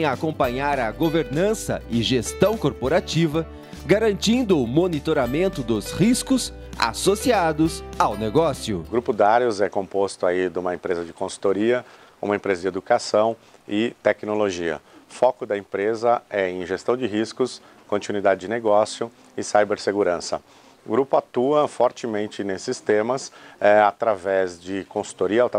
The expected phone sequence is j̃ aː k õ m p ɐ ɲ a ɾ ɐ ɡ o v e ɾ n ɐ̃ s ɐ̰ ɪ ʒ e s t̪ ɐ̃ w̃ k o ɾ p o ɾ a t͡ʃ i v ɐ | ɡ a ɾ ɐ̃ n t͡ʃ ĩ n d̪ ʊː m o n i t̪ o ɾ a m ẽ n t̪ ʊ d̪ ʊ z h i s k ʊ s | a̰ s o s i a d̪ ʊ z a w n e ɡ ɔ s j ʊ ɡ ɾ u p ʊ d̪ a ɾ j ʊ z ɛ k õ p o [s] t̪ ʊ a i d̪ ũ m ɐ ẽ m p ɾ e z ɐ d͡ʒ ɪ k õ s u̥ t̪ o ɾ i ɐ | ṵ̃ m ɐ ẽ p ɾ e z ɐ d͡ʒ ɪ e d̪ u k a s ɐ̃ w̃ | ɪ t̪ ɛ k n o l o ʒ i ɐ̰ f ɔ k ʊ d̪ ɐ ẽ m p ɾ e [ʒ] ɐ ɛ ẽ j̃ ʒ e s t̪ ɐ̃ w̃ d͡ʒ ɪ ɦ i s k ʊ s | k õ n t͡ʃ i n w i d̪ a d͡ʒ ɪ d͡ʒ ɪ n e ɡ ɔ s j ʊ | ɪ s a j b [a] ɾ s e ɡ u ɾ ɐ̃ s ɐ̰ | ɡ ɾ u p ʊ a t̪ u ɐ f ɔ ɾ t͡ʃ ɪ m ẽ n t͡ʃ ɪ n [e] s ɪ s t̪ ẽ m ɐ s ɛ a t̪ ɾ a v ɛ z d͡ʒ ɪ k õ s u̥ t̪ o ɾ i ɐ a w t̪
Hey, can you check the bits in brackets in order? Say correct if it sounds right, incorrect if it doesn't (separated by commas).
correct, incorrect, incorrect, correct